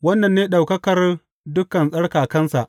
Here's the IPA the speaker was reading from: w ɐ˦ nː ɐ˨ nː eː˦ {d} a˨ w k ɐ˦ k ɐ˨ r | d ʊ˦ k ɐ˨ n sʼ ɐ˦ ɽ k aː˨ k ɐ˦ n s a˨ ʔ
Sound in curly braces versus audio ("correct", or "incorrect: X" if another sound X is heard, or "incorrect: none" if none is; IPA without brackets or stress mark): incorrect: ɗ